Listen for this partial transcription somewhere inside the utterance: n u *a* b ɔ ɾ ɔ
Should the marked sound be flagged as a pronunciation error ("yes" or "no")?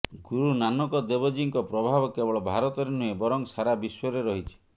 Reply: yes